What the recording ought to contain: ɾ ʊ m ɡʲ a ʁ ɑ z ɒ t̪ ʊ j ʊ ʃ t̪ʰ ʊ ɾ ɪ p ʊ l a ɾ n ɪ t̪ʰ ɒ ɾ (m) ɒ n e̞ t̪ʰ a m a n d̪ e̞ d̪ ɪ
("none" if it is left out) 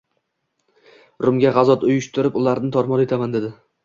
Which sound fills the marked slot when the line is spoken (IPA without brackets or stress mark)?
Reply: m